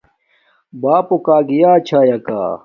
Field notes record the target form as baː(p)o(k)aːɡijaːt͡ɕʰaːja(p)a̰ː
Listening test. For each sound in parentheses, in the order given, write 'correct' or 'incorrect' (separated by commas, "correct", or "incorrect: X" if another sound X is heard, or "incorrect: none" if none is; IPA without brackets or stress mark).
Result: correct, correct, incorrect: k